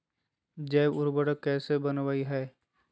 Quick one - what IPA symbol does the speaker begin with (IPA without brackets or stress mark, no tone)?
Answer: d͡ʒ